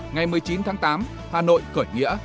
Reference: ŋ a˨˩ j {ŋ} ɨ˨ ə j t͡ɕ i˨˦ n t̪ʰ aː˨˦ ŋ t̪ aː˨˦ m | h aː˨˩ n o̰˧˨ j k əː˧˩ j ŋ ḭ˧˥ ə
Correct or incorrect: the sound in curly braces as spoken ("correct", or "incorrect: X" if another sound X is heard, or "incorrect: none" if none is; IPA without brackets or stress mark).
incorrect: m